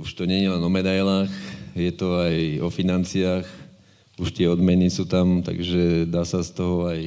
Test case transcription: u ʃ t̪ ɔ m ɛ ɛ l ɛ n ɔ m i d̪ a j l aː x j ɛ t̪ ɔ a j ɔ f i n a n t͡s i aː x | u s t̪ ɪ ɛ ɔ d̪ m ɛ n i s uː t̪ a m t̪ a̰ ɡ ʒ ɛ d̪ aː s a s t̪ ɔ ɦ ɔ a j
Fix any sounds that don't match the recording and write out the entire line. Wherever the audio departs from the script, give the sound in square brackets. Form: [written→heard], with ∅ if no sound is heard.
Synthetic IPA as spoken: u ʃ t̪ ɔ [m→ɲ] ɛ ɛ l ɛ n ɔ m [i→ɛ] d̪ a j l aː x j ɛ t̪ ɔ a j ɔ f i n a n t͡s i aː x | u [s→ʃ] t̪ ɪ ɛ ɔ d̪ m ɛ n i s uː t̪ a m t̪ a̰ ɡ ʒ ɛ d̪ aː s a s t̪ ɔ ɦ ɔ a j